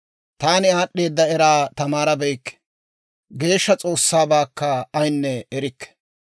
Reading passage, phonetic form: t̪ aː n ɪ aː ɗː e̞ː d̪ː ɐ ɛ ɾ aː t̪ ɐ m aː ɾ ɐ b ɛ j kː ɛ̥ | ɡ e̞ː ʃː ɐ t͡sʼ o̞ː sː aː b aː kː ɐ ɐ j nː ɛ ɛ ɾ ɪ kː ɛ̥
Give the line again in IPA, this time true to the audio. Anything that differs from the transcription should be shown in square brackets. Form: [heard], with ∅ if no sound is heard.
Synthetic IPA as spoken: t̪ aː n ɪ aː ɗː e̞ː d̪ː ɐ ɛ ɾ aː t̪ ɐ m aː ɾ ɐ b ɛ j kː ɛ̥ | ɡ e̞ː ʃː ɐ t͡sʼ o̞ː sː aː b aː kː ɐ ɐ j nː ɛ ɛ ɾ ɪ kː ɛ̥